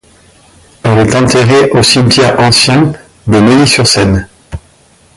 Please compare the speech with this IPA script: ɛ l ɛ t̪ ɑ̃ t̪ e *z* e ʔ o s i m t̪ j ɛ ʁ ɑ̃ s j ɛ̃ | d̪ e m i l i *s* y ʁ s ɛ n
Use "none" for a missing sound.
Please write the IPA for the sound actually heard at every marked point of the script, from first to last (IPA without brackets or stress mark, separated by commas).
ʁ, s